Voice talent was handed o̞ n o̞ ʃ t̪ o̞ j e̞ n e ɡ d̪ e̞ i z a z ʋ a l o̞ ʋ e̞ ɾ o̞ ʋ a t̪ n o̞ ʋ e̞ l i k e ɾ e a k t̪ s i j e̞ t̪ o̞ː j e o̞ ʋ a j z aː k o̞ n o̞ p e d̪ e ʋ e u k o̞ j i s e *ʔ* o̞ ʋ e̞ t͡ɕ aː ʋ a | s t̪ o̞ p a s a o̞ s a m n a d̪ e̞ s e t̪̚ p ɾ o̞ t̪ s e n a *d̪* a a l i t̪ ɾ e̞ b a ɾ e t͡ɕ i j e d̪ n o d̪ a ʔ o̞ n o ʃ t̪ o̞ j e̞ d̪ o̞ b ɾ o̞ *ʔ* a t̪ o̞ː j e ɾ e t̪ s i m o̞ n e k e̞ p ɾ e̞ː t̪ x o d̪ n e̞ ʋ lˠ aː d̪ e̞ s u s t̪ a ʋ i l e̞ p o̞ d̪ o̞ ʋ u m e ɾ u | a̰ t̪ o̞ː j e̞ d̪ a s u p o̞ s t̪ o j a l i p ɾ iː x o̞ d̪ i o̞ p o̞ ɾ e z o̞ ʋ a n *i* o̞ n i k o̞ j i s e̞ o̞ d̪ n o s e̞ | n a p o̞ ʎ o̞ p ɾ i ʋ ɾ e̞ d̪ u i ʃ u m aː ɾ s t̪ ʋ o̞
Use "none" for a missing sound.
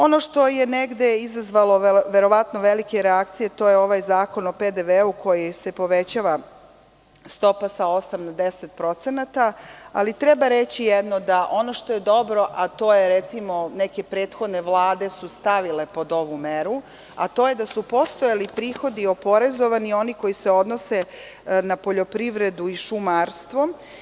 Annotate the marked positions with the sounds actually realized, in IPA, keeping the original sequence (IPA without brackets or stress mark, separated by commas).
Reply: p, t̪, ʔ, i